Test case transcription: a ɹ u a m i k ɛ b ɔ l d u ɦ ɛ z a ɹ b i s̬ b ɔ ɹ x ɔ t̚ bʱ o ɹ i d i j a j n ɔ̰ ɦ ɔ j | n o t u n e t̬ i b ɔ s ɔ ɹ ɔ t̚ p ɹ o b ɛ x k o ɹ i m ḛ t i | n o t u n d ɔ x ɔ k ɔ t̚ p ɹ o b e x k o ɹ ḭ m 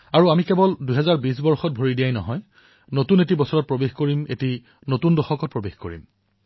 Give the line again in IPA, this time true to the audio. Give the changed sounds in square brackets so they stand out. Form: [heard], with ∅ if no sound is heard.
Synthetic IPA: a ɹ u a m i k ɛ b ɔ l d u ɦ ɛ z a ɹ b i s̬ b ɔ ɹ x ɔ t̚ bʱ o ɹ i d i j a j n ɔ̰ ɦ ɔ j | n o t u n e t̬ i b ɔ s ɔ ɹ ɔ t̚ p ɹ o b [e] x k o ɹ i m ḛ t i | n o t u n d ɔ x ɔ k ɔ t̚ p ɹ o b e x k o ɹ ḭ m